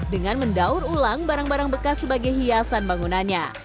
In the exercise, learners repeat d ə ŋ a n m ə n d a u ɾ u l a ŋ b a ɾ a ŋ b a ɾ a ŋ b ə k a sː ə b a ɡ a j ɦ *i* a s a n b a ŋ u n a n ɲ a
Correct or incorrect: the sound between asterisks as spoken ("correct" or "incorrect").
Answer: correct